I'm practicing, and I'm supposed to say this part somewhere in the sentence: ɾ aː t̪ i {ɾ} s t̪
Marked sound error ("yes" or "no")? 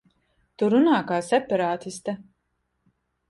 yes